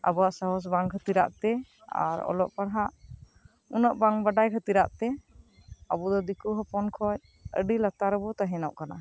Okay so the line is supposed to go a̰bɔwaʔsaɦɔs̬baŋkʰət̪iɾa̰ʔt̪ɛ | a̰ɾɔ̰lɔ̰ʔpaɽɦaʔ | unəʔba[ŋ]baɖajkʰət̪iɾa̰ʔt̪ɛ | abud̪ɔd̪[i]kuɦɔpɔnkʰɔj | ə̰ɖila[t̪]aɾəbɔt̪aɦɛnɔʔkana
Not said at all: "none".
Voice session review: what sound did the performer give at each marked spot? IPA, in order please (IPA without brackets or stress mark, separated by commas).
ŋ, i, t̪